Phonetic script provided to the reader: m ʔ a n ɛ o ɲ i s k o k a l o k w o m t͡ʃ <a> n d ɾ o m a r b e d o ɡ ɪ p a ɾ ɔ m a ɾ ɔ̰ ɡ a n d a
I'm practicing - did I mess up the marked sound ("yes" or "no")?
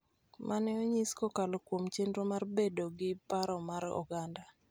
yes